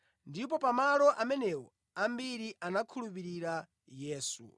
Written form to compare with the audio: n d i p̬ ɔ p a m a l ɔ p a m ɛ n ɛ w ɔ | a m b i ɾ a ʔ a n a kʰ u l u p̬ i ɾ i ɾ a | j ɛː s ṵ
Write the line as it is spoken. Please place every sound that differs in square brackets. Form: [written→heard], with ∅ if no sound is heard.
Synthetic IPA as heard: n d i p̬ ɔ p a m a l ɔ [p→ʔ] a m ɛ n ɛ w ɔ | a m b i ɾ [a→i] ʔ a n a kʰ u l u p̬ i ɾ i ɾ a | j ɛː s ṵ